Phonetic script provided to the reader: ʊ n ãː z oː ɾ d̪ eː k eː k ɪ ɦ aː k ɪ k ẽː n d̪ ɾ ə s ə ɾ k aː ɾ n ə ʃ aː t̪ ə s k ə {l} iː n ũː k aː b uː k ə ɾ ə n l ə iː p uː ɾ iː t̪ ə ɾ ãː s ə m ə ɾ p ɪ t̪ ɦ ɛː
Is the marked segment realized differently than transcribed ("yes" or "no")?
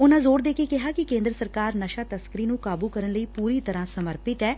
yes